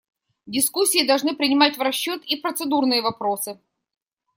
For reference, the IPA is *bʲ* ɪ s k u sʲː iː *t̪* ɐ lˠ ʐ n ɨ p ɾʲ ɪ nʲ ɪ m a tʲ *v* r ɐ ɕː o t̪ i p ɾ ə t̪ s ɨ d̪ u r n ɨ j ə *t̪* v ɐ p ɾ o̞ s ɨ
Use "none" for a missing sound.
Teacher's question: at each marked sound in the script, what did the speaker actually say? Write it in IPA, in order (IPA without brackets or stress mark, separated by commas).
dʲ, d̪, v, none